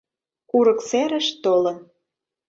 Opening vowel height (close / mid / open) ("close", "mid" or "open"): close